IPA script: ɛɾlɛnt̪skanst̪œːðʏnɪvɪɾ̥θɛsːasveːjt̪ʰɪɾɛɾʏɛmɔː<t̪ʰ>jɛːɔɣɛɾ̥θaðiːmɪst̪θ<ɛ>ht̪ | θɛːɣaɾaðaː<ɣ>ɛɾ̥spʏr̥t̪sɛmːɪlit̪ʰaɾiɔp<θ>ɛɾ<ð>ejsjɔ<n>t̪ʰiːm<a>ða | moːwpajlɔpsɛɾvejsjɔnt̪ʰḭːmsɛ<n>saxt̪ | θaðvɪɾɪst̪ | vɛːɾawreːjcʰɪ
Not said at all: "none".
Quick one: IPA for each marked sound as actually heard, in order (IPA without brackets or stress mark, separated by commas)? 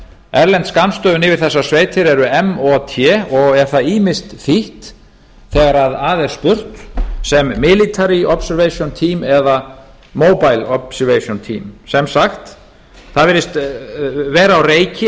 t̪ʰ, i, ð, s, v, n, ɛ, m